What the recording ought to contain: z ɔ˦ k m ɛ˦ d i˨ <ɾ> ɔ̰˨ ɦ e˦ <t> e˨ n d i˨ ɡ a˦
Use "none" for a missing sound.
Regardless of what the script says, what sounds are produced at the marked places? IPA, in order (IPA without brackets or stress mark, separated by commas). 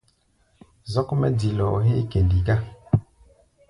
l, k